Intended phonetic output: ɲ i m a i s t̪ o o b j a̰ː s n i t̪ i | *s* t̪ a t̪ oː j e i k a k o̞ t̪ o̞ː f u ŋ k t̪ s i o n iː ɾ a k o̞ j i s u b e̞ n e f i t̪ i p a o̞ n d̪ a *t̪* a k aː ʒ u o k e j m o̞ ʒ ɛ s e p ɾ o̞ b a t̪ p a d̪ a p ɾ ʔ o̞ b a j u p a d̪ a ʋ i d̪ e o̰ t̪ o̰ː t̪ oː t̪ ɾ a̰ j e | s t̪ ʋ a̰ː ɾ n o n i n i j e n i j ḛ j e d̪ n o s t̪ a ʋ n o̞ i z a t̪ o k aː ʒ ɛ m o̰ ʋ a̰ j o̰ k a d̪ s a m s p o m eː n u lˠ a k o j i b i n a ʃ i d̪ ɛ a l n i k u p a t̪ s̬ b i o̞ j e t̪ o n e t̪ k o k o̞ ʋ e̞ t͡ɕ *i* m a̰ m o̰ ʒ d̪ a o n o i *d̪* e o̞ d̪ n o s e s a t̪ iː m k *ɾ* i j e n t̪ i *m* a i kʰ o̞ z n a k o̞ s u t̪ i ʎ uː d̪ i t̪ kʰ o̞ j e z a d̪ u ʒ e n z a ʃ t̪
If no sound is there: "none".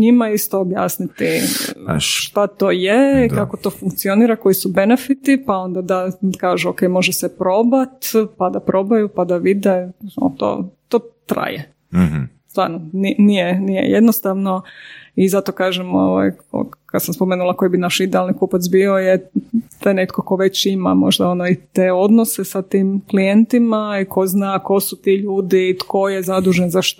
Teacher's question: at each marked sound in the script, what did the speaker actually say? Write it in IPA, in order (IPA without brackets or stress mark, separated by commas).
ʃ, d̪, i, t̪, l, m